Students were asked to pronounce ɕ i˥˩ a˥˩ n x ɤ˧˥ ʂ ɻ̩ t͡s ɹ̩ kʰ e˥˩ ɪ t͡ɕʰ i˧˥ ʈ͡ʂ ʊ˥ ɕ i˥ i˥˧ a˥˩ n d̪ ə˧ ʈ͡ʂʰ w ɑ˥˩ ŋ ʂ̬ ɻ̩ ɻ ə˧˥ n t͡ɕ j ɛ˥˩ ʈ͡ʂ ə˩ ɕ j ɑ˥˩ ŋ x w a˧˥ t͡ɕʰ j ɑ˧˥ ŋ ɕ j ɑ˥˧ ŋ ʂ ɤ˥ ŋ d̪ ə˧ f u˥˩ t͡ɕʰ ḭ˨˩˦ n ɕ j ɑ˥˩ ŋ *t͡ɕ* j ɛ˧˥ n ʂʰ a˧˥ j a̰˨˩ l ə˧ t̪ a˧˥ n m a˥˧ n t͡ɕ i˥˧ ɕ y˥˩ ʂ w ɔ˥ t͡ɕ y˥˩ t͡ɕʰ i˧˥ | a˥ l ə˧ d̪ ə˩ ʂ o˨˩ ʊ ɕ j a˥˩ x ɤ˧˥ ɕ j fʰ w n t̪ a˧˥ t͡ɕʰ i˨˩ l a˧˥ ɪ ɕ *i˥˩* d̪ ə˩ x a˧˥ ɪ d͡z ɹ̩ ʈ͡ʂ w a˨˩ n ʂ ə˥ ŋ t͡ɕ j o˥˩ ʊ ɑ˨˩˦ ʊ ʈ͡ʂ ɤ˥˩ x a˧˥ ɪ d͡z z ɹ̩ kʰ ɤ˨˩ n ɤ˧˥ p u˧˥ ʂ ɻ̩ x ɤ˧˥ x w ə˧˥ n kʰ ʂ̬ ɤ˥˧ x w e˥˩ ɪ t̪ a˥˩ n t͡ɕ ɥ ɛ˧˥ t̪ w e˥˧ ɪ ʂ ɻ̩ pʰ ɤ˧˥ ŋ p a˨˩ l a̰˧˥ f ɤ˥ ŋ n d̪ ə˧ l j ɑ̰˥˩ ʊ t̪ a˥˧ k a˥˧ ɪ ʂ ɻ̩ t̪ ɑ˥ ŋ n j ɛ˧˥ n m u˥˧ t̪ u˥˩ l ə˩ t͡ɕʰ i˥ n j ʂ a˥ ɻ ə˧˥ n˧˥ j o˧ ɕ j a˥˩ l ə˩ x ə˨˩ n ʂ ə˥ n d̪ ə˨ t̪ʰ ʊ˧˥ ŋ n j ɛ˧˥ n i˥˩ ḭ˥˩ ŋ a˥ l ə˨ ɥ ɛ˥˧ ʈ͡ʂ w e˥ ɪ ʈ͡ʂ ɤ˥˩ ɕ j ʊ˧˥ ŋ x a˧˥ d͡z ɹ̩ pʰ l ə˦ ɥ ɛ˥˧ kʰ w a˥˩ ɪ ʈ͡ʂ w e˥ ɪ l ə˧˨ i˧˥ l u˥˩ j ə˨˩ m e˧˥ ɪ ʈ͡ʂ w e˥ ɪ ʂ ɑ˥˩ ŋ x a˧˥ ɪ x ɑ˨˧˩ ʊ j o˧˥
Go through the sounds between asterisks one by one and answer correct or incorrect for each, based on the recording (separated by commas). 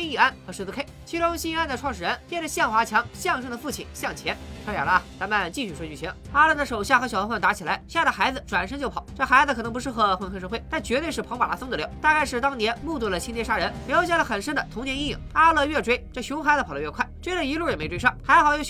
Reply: incorrect, incorrect